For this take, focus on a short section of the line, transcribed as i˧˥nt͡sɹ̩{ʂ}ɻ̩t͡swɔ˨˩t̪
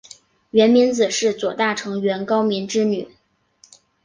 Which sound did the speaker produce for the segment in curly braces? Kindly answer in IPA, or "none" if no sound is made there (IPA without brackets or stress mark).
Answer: ʂ